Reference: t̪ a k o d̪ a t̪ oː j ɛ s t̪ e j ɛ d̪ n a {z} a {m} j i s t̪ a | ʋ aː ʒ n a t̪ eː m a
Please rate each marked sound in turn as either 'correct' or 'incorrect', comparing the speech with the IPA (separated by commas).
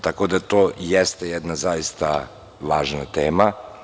correct, incorrect